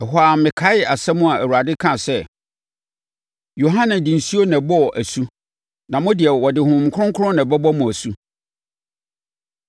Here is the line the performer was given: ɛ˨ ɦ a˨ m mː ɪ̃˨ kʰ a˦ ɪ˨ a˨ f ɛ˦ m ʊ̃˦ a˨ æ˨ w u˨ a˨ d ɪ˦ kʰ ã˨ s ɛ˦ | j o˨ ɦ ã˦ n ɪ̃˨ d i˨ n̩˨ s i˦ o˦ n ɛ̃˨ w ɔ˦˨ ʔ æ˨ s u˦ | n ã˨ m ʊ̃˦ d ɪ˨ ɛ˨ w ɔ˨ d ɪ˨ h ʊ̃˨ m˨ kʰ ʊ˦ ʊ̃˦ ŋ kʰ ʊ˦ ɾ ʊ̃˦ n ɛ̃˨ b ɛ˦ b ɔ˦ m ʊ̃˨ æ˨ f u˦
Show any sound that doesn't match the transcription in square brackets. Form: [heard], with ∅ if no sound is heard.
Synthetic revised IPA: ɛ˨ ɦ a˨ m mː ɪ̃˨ kʰ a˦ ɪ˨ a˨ [s] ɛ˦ m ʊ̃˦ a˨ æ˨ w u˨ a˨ d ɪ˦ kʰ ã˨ s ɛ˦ | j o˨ ɦ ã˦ n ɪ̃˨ d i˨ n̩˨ s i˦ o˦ n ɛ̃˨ [b] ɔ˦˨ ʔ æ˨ s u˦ | n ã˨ m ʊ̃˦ d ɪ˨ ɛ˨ w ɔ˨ d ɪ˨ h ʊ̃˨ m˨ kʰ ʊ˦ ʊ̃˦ ŋ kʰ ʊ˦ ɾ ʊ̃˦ n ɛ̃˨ b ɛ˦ b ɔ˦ m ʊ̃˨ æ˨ [s] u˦